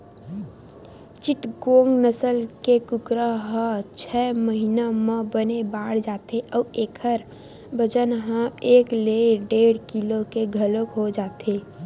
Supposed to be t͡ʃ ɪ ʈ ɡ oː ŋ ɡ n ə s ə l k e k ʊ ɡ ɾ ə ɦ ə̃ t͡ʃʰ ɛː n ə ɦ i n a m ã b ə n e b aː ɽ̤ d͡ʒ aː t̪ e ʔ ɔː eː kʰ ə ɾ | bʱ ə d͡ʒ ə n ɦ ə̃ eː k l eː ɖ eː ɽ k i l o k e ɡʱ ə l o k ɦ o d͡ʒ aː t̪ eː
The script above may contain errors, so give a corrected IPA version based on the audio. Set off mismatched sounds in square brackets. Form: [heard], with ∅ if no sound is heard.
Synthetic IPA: t͡ʃ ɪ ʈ ɡ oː ŋ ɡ n ə s ə l k e k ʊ [k] ɾ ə ɦ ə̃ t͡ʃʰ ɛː [m] ə ɦ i n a m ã b ə n e b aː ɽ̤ d͡ʒ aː t̪ e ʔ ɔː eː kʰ ə ɾ | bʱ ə d͡ʒ ə n ɦ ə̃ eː k l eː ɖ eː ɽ k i l o k e ɡʱ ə l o k ɦ o d͡ʒ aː t̪ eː